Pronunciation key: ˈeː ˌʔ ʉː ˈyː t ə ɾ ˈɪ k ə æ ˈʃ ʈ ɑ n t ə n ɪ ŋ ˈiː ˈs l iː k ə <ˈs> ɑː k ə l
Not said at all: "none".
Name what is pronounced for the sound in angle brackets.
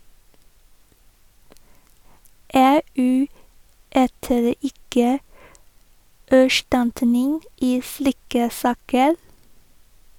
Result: s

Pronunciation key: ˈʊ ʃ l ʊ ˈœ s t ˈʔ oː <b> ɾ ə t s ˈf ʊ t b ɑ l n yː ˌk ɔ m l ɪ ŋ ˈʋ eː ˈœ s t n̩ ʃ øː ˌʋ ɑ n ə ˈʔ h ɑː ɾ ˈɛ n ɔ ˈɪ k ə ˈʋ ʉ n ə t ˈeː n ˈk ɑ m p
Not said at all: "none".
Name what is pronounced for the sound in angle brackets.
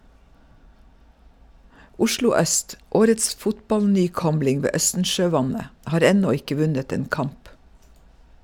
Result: none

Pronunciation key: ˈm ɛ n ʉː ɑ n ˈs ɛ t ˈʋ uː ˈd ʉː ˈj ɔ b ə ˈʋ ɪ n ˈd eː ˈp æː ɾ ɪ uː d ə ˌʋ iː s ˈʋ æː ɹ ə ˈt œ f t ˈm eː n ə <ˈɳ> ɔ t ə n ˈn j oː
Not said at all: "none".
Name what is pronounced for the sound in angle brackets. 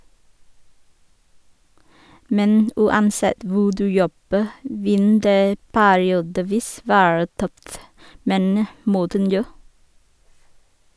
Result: m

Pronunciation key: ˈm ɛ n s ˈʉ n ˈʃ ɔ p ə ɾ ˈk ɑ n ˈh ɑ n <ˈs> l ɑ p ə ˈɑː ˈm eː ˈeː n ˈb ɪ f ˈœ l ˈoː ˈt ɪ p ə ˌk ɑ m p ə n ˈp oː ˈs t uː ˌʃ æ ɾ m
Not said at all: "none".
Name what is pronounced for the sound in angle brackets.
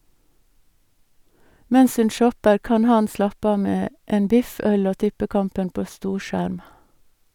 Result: s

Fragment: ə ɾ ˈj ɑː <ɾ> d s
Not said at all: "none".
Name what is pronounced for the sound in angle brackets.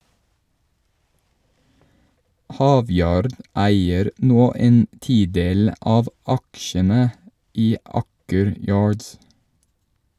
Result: ɹ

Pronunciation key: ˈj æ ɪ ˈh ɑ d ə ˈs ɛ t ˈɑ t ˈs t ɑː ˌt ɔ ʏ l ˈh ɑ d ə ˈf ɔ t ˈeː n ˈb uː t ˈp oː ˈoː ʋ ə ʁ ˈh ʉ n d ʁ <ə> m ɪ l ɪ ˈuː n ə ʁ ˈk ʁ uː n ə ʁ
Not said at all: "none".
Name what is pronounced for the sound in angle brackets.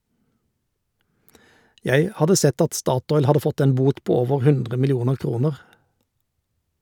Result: ə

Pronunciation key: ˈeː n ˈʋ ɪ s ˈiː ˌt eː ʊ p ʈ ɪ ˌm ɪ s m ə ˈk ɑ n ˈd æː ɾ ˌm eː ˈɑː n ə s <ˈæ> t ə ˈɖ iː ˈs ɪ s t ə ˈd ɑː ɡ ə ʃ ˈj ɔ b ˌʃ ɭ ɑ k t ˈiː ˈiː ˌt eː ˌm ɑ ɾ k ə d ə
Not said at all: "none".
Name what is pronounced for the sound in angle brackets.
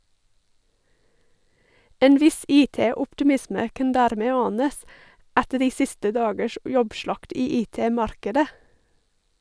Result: æ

